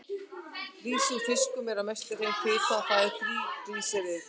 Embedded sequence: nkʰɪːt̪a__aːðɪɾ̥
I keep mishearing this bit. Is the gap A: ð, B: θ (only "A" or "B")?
B